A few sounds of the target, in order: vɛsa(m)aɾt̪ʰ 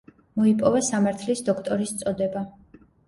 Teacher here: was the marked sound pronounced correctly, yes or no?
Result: yes